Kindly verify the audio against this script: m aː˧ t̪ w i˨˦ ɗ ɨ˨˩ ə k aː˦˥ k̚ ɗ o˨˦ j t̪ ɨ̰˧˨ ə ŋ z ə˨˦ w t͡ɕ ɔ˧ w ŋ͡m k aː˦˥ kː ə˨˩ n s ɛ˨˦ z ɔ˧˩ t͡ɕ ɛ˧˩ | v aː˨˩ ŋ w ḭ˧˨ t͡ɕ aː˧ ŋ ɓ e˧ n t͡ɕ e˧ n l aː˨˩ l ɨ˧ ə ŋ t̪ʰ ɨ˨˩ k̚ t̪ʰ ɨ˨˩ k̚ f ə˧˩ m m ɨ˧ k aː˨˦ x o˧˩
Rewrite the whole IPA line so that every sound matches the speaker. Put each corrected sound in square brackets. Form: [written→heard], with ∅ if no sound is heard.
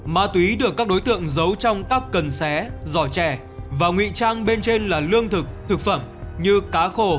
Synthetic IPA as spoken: m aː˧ t̪ w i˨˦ ɗ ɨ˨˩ ə k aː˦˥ k̚ ɗ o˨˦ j t̪ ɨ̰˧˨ ə ŋ z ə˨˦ w t͡ɕ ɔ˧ w ŋ͡m k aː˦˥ kː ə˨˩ n s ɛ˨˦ z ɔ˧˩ t͡ɕ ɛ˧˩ | v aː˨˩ ŋ w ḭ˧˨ t͡ɕ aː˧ ŋ ɓ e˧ n t͡ɕ e˧ n l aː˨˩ l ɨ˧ ə ŋ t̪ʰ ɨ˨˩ k̚ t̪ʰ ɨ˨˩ k̚ f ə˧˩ m [m→ɲ] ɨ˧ k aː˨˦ x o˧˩